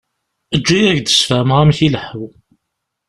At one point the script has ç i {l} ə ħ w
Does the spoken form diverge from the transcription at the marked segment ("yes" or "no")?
no